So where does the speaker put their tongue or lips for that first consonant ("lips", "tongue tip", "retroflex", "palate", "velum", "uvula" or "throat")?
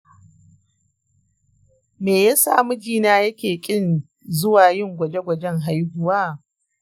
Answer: lips